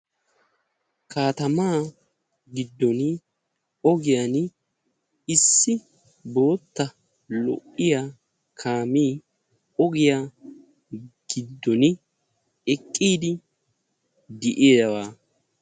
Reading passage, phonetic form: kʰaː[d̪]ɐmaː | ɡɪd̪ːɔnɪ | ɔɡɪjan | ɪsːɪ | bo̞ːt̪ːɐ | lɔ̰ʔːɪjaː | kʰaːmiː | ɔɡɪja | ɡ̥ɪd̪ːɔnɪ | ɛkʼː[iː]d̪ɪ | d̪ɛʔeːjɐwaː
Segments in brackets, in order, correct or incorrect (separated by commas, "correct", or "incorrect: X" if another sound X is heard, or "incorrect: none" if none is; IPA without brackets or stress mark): incorrect: t̪, correct